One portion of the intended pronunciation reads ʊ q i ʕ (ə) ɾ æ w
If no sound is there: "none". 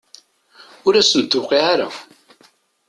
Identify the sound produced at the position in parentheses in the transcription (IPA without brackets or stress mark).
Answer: a